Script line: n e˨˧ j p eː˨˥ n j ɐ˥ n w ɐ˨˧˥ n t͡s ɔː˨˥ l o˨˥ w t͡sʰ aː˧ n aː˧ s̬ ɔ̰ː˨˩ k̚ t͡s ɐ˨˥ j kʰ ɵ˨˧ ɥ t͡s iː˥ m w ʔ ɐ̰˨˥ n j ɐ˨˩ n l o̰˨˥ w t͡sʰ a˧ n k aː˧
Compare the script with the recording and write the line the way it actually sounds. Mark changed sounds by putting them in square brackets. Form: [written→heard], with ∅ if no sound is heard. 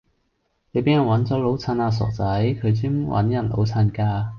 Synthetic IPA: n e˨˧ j p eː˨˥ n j [ɐ˥→ɐ˨˩] n w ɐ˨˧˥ n t͡s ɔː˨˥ l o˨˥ w t͡sʰ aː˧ n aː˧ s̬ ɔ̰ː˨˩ k̚ t͡s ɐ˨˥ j kʰ ɵ˨˧ ɥ t͡s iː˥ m w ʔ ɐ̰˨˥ n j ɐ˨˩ n l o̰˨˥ w t͡sʰ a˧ n k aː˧

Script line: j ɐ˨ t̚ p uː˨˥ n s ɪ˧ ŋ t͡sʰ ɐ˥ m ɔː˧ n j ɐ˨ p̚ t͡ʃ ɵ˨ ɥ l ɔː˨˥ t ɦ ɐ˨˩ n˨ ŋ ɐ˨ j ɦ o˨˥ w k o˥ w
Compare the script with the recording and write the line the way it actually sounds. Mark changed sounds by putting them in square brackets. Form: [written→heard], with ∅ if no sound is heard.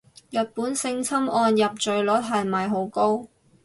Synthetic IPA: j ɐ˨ t̚ p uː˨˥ n s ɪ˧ ŋ t͡sʰ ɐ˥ m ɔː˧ n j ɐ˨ p̚ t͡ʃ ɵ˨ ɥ l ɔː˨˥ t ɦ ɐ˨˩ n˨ [ŋ→m] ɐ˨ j ɦ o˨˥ w k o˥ w

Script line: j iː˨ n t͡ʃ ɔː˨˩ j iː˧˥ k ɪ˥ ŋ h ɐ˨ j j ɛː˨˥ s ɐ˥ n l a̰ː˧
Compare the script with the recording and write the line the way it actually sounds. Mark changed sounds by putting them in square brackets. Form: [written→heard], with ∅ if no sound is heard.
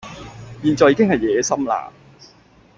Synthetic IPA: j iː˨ n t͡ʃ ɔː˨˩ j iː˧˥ k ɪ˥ ŋ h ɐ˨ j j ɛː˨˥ s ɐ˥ [n→m] l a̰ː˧

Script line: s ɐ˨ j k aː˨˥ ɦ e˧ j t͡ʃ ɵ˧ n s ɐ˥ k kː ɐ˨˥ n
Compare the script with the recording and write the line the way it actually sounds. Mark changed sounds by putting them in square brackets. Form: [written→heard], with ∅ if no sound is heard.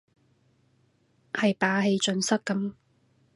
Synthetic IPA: [s→h] ɐ˨ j [k→p] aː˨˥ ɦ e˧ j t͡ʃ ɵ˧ n s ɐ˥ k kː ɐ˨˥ [n→m]

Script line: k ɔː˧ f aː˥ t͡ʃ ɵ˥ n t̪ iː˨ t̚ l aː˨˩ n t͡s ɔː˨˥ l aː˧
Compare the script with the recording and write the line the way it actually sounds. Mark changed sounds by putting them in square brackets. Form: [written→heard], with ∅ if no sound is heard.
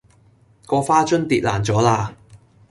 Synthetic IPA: k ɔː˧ f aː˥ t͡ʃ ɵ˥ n t̪ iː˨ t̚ l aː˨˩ n t͡s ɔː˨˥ l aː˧

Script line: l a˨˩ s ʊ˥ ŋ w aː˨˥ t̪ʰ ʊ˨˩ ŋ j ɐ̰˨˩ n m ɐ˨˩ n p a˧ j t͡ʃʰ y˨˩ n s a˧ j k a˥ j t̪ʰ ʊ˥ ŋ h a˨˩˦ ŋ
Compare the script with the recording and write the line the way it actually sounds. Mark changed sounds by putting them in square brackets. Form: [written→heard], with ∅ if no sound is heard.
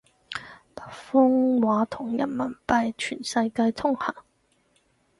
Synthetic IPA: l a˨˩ [s→f] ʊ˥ ŋ w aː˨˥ t̪ʰ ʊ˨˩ ŋ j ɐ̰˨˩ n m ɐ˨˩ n p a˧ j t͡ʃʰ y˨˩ n s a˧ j k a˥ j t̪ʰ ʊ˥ ŋ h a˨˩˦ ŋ

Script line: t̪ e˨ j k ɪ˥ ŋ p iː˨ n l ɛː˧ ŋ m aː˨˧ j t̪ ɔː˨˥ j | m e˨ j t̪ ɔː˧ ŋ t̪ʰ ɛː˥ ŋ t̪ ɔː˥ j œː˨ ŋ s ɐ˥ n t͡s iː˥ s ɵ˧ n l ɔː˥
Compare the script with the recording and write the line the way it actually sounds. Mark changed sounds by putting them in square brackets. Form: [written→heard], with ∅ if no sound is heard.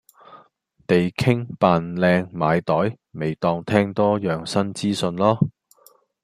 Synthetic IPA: t̪ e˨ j [k→kʰ] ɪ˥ ŋ p [iː˨→aː˨] n l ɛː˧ ŋ m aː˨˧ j t̪ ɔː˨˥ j | m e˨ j t̪ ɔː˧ ŋ t̪ʰ ɛː˥ ŋ t̪ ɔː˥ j œː˨ ŋ s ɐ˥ n t͡s iː˥ s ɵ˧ n l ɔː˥

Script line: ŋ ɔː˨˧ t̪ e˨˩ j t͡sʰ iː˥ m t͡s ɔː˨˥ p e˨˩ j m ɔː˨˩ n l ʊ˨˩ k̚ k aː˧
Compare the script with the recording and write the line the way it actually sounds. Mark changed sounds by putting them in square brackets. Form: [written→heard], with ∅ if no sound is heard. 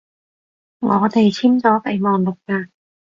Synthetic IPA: ŋ ɔː˨˧ t̪ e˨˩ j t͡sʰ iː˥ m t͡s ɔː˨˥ p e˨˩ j m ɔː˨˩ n l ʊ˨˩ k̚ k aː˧

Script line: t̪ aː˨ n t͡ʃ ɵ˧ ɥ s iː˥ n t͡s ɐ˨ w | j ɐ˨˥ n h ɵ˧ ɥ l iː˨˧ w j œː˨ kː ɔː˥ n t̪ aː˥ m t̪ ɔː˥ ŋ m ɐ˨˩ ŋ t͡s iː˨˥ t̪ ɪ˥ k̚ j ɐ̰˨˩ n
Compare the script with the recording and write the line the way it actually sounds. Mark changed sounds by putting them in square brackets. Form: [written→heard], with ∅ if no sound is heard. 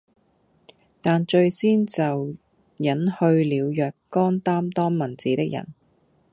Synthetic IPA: t̪ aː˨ n t͡ʃ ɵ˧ ɥ s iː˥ n t͡s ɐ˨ w | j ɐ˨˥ n h ɵ˧ ɥ l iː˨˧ w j œː˨ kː ɔː˥ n t̪ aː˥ m t̪ ɔː˥ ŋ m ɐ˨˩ [ŋ→n] t͡s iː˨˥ t̪ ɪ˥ k̚ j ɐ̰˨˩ n

